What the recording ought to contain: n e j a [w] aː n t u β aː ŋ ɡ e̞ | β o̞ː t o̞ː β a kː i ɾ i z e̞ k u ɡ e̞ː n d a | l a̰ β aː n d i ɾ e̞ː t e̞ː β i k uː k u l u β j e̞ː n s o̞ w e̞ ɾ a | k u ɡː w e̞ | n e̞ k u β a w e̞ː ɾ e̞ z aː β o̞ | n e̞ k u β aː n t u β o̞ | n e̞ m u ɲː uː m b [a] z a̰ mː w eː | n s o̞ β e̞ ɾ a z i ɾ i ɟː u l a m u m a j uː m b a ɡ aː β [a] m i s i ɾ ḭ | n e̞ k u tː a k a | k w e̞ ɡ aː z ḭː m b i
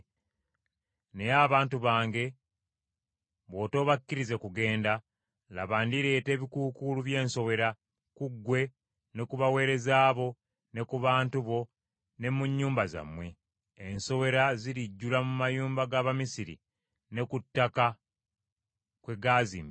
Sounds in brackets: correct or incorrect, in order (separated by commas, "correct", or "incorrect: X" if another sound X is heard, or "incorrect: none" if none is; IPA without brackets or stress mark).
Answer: incorrect: β, correct, correct